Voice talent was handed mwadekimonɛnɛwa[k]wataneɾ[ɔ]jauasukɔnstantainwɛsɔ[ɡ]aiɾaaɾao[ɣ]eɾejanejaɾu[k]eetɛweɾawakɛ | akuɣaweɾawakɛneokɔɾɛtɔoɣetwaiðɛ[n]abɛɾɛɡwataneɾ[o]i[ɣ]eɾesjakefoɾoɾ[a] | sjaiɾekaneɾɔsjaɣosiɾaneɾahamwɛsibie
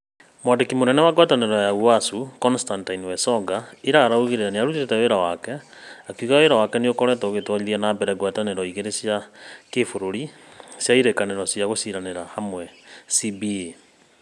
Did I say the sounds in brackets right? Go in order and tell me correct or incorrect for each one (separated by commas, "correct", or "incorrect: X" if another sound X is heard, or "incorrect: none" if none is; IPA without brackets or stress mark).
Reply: incorrect: ɡ, correct, correct, correct, incorrect: t, correct, incorrect: ɔ, correct, incorrect: i